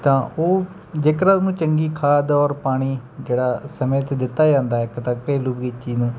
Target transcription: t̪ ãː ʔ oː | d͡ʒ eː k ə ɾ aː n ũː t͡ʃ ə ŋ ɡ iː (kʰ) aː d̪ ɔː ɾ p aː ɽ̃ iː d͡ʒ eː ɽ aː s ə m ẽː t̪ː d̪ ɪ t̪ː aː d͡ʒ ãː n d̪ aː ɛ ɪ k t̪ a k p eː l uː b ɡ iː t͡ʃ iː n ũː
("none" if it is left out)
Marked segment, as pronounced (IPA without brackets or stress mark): kʰ